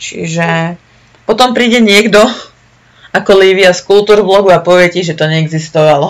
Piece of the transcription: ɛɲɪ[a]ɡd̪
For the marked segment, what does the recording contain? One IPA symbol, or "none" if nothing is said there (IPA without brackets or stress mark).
ɛ